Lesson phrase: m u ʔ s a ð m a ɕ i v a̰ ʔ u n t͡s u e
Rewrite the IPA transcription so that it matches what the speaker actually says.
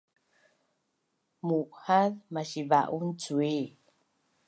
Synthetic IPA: m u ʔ h a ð m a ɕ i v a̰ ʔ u n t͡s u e